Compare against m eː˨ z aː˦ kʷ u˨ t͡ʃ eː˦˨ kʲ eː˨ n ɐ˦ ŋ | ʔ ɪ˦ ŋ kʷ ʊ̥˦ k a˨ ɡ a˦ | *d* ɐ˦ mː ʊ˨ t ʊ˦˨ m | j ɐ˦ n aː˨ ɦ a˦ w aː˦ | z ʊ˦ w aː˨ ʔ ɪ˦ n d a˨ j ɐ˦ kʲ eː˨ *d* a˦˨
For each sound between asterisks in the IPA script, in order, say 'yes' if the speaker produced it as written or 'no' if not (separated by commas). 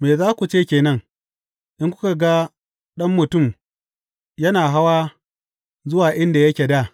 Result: no, yes